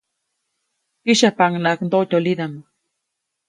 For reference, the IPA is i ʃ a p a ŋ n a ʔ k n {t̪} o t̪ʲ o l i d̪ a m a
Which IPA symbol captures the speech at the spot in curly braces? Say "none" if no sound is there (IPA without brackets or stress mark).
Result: d̪